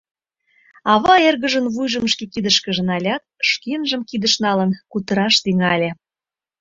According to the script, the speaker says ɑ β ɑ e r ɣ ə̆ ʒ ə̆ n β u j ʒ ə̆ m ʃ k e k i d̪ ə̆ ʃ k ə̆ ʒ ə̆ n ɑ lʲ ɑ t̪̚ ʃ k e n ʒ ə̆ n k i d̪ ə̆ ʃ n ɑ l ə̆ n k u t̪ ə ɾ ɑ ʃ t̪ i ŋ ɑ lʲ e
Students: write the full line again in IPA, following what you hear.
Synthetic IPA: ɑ β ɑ e r ɣ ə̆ ʒ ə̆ n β u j ʒ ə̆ m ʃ k e k i d̪ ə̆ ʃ k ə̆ ʒ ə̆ n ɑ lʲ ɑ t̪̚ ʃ k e n ʒ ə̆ m k i d̪ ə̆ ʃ n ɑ l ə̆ n k u t̪ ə ɾ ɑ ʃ t̪ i ŋ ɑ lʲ e